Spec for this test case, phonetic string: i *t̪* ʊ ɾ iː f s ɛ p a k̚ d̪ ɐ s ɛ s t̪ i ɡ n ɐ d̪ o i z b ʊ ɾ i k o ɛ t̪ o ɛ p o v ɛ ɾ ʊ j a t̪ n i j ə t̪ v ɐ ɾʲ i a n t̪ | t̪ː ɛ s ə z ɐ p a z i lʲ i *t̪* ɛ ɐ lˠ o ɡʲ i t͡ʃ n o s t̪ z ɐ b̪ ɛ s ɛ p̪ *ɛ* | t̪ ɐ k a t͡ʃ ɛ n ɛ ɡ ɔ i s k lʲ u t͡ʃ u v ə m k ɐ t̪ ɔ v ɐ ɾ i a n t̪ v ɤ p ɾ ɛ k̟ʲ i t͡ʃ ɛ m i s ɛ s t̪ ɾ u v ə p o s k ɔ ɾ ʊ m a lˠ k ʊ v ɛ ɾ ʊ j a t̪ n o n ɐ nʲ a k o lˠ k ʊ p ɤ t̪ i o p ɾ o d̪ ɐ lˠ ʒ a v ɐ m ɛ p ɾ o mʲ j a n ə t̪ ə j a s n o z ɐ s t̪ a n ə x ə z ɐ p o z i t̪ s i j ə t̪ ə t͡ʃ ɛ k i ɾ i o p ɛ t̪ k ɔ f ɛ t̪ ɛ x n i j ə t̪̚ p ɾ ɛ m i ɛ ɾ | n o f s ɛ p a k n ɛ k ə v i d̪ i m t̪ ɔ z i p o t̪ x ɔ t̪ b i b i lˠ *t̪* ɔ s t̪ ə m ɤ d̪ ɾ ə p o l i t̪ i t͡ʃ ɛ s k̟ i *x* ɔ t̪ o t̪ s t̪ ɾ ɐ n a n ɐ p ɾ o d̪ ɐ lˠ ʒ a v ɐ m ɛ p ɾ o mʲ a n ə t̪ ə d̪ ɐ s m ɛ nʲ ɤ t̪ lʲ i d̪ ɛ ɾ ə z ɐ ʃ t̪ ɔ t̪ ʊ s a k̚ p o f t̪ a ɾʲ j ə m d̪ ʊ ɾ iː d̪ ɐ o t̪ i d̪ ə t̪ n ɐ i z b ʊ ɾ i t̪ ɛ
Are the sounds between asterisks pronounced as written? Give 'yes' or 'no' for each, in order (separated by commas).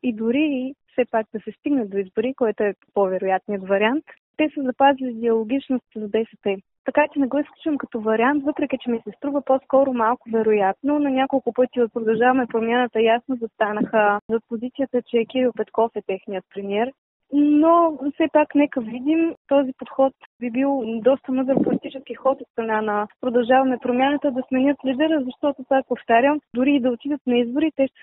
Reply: no, no, yes, no, yes